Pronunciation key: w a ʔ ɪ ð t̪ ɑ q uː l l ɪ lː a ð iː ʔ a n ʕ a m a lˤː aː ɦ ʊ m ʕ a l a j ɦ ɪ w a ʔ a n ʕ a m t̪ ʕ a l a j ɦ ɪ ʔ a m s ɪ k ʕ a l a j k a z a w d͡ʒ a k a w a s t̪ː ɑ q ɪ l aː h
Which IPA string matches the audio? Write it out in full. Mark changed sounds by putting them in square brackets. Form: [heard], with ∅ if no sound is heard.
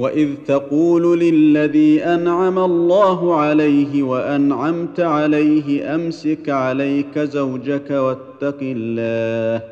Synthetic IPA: w a ʔ ɪ ð t̪ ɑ q uː l l ɪ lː a ð iː ʔ a n ʕ a m a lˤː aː ɦ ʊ [∅] ʕ a l a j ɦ ɪ w a ʔ a n ʕ a m t̪ ʕ a l a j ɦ ɪ ʔ a m s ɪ k ʕ a l a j k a z a w d͡ʒ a k a w a [∅] t̪ː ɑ q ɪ [lː] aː h